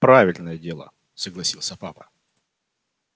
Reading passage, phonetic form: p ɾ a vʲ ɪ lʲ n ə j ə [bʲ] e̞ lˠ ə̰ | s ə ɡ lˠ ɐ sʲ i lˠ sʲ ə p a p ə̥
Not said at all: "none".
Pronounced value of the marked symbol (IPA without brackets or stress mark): dʲ